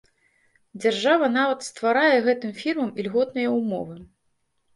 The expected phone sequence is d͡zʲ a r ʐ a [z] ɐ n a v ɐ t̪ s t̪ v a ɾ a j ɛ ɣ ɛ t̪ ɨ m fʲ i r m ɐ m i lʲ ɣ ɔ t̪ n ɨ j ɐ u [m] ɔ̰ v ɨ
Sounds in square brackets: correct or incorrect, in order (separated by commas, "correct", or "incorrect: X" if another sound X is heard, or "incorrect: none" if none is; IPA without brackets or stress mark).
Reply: incorrect: v, correct